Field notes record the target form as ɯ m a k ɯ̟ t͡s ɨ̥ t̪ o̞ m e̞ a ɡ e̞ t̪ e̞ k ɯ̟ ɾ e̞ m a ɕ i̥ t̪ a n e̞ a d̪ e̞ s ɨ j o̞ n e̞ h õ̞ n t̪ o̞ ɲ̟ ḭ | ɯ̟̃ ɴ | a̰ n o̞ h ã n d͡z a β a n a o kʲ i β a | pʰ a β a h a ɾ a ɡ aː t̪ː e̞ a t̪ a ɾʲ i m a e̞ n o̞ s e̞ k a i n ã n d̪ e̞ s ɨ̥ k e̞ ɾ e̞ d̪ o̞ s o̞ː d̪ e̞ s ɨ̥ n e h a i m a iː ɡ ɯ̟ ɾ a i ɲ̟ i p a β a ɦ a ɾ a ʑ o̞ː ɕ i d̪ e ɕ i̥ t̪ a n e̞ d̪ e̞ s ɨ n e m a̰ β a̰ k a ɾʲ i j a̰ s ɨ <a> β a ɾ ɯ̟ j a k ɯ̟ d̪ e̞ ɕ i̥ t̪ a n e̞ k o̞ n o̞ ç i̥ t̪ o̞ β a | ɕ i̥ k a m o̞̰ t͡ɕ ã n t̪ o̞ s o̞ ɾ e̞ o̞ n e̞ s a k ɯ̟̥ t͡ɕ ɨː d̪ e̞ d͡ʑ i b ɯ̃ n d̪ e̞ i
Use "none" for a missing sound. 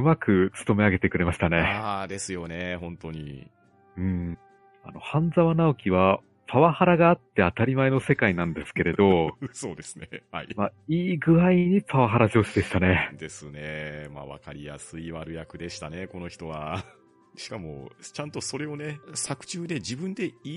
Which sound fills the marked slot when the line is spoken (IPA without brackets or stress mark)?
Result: i